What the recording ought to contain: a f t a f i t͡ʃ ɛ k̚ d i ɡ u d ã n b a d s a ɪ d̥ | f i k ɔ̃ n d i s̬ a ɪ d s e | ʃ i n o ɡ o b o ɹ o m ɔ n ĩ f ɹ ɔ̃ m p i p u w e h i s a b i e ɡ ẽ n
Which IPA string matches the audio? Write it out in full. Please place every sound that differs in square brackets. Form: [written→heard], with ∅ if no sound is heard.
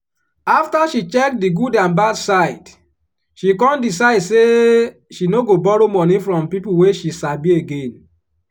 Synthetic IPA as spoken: a f t a [f→ʃ] i t͡ʃ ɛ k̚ d i ɡ u d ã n b a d s a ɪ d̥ | [f→ʃ] i k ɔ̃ n d i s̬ a ɪ d s e | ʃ i n o ɡ o b [o→ɔ] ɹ o m ɔ n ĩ f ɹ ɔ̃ m p i p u w e [h→ʃ] i s a b i e ɡ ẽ n